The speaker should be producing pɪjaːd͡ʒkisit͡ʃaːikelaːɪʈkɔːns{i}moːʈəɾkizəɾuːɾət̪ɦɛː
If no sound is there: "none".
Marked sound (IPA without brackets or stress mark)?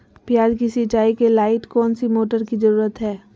i